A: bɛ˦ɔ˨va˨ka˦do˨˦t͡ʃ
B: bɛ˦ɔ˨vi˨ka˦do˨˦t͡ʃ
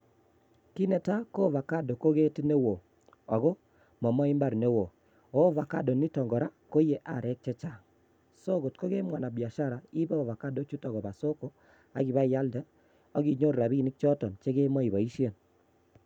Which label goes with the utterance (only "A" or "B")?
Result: A